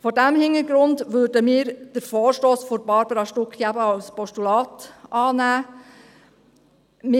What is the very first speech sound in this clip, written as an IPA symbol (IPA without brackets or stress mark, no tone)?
f